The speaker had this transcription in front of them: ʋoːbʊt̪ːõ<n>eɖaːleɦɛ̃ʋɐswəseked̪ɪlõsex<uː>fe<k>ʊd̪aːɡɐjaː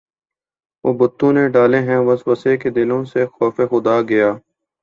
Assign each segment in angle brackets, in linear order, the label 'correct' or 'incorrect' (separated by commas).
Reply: correct, incorrect, incorrect